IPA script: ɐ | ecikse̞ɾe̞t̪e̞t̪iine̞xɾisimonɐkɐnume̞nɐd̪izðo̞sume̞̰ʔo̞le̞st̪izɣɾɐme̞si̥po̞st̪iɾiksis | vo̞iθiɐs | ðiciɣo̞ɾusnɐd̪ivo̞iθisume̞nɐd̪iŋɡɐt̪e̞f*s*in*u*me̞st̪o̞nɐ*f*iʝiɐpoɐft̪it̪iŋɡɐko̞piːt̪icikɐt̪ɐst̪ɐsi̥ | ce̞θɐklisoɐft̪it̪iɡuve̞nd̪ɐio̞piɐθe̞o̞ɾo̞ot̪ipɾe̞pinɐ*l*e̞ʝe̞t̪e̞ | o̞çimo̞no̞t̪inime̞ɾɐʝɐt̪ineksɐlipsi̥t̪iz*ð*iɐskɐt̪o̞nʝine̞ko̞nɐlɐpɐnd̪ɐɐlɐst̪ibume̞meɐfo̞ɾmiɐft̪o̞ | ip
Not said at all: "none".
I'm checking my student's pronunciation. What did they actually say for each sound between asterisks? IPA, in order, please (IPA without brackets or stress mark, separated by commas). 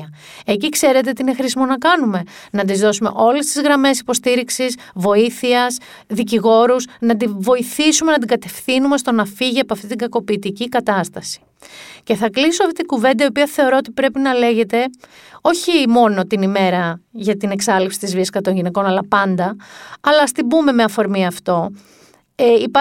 θ, u, f, l, v